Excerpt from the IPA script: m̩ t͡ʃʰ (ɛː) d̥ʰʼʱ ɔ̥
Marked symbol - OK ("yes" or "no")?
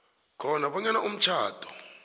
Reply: no